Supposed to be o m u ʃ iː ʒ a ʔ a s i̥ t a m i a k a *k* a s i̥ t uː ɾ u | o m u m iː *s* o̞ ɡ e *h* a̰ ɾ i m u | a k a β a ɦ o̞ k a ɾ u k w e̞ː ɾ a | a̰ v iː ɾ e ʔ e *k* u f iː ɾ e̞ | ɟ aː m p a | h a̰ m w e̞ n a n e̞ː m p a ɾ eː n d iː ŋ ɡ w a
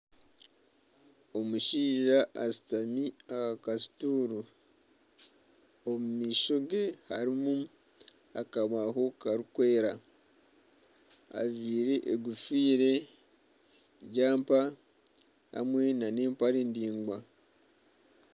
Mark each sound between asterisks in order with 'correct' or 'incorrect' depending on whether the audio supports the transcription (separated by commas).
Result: correct, incorrect, correct, incorrect